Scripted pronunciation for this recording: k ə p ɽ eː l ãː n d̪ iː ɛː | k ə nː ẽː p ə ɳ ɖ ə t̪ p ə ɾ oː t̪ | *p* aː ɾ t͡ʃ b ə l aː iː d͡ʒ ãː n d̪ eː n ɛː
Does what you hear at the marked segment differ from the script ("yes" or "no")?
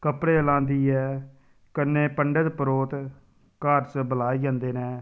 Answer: yes